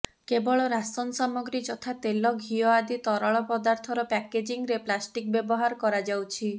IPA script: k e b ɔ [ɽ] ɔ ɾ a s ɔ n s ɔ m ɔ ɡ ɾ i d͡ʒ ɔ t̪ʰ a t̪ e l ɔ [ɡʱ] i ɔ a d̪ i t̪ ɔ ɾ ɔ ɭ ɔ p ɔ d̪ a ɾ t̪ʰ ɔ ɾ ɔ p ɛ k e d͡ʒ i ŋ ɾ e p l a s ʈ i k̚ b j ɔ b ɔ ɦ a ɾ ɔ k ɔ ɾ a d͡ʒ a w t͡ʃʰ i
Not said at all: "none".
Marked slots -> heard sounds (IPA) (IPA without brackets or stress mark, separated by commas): ɭ, ɡʱ